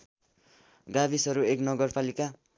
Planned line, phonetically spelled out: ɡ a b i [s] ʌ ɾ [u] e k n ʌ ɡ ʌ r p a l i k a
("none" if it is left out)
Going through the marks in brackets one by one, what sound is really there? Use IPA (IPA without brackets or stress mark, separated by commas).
s, u